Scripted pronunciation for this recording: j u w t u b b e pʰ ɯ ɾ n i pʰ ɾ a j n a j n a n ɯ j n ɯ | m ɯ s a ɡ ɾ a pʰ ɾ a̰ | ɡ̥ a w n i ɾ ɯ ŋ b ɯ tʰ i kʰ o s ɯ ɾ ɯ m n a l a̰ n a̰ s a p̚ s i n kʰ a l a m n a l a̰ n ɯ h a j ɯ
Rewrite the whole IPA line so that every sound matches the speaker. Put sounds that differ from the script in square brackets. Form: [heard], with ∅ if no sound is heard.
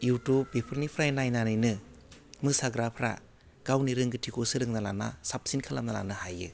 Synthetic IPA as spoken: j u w t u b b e pʰ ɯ ɾ n i pʰ ɾ a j n a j n a n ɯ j n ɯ | m ɯ s a ɡ ɾ a pʰ ɾ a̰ | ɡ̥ a w n i ɾ ɯ ŋ [ɡ] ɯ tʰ i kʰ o s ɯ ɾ ɯ [ŋ] n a l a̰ n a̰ s a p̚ s i n kʰ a l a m n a l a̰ n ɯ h a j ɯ